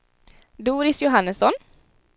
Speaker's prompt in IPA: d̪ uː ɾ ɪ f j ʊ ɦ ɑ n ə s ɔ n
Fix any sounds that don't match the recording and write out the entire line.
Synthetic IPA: d̪ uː ɾ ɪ s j ʊ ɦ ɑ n ə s ɔ n

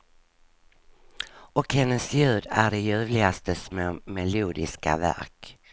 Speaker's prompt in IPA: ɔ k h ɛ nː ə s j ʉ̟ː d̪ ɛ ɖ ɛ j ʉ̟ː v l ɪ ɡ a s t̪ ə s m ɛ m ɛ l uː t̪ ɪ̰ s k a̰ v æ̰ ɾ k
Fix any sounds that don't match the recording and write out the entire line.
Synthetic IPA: ɔ k h ɛ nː ə s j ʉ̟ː d̪ æ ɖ ɛ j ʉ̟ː v l ɪ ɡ a s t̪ ə s m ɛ m ɛ l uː d̪ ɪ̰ s k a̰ v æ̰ ɾ k

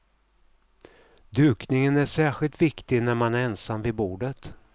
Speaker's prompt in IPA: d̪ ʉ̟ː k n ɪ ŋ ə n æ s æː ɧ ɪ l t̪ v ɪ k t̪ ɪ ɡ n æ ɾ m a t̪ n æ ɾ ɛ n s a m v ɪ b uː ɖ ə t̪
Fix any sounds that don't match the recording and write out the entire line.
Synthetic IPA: d̪ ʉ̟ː k n ɪ ŋ ə n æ ʂ æː ɧ ɪ l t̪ v ɪ k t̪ ɪ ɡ n æ ɾ m a n æ ɾ ɛ n s a m v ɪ b uː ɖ ə t̪

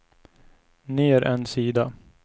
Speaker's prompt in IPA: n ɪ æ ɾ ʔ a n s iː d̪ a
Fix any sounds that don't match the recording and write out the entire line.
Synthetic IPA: n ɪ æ ɾ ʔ ɛ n s iː d̪ a

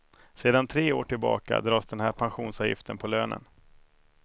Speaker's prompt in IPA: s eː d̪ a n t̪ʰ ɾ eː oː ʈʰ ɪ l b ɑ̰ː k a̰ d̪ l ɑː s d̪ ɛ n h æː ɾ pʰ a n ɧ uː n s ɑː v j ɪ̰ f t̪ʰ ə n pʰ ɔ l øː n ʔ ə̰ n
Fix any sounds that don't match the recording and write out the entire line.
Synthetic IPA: s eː d̪ a n t̪ʰ ɾ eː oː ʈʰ ɪ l b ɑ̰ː k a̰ d̪ ɾ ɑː s d̪ ɛ n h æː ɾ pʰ a n ɧ uː n s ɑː v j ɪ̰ f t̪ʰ ə n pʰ ɔ l øː n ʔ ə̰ n

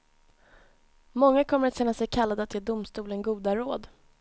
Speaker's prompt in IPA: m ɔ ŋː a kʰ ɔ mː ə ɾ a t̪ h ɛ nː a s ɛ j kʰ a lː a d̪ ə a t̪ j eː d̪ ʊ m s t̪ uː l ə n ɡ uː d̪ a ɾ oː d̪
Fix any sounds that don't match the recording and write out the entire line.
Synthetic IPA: m ɔ ŋː a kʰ ɔ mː ə ɾ a t̪ ɕ ɛ nː a s ɛ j kʰ a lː a d̪ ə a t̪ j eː d̪ ʊ m s t̪ uː l ə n ɡ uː d̪ a ɾ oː d̪

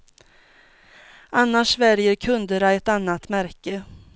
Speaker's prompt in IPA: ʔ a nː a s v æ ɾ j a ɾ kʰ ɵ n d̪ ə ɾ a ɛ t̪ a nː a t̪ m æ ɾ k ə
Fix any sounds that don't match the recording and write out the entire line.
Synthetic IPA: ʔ a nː a ʂ v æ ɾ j ə ɾ kʰ ɵ n d̪ ə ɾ a ɛ t̪ a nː a t̪ m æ ɾ k ə

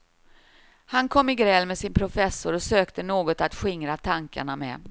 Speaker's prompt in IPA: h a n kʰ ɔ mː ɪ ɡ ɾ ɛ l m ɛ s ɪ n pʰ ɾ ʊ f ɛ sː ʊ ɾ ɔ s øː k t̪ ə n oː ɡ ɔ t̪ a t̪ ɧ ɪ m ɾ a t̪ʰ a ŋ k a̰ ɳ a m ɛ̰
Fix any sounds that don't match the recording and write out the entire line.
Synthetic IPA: h a n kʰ ɔ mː ɪ ɡ ɾ ɛ l m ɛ s ɪ n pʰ ɾ ʊ f ɛ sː ʊ ɾ ɔ s øː k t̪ ə n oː ɡ ɔ t̪ a t̪ ɧ ɪ ŋ ɾ a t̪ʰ a ŋ k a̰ ɳ a m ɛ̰

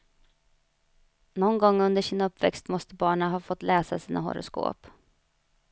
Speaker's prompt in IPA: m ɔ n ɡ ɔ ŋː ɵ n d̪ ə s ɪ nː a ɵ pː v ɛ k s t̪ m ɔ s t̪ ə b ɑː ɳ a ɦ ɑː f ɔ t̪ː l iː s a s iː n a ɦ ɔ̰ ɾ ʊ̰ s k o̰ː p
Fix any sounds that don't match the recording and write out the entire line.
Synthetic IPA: n ɔ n ɡ ɔ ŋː ɵ n d̪ ə ʂ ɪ n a ɵ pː v ɛ k s t̪ m ɔ s t̪ ə b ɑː ɳ a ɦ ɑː f ɔ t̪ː l ɛː s a s iː n a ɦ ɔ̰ ɾ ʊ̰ s k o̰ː p

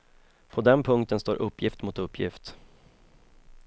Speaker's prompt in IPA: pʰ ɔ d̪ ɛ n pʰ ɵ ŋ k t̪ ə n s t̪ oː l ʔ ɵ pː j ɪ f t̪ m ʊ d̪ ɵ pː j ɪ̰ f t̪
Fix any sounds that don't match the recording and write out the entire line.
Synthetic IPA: pʰ ɔ d̪ ɛ n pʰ ɵ ŋ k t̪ ə n s t̪ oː ɾ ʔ ɵ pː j ɪ f t̪ m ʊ t̪ ɵ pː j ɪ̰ f t̪

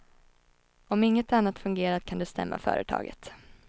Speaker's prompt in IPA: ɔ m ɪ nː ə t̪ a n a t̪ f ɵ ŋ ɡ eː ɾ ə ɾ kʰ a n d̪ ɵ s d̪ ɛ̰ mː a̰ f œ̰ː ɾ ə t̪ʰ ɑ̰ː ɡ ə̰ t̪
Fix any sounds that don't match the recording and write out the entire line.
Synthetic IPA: ɔ m ɪ ŋː ə t̪ a nː a t̪ f ɵ ŋ ɡ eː ɾ a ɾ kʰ a n d̪ ɵ s t̪ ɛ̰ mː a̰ f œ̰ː ɾ ə t̪ʰ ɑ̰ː ɡ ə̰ t̪

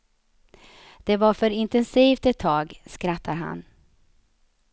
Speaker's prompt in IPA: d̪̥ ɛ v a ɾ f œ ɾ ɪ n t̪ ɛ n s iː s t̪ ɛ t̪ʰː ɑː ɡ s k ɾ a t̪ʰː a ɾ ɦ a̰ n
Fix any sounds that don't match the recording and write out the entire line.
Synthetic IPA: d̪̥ ɛ v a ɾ f œ ɾ ɪ n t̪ ɛ n s iː f t̪ ɛ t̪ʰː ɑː ɡ s k ɾ a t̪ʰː a ɾ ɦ a̰ n

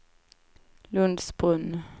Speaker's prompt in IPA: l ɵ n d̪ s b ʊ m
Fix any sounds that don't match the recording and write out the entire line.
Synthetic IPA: l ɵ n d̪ s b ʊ n

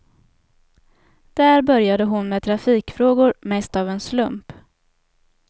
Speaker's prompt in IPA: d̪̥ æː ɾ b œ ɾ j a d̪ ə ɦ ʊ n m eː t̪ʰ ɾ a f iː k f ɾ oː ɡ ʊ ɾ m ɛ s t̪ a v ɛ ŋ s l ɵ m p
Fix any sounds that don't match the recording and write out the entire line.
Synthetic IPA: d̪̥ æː ɾ b œ ɾ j a d̪ ə ɦ ʊ n m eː t̪ʰ ɾ a f iː k f ɾ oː ɡ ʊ ɾ m ɛ s t̪ a v ɛ n s l ɵ m p

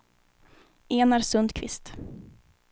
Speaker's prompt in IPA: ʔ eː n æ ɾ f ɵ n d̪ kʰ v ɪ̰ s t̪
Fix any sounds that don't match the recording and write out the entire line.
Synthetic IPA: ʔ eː n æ ɾ s ɵ n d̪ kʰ v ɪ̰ s t̪

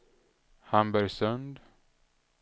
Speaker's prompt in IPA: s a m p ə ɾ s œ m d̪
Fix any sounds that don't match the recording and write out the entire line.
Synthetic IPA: h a m b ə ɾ s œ n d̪

